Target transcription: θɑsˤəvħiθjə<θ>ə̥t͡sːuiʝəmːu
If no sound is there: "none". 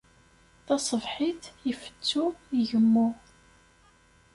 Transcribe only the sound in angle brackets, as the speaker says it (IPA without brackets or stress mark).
f